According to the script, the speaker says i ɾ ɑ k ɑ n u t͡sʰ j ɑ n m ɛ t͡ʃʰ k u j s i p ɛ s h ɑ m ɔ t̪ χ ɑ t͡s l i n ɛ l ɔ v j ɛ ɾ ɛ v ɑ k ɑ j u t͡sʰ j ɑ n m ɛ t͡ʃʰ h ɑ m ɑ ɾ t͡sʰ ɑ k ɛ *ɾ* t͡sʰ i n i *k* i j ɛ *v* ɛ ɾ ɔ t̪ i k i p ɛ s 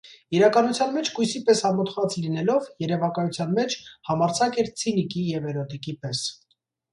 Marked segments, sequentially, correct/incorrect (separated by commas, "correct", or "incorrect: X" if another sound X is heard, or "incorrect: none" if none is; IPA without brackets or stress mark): correct, correct, correct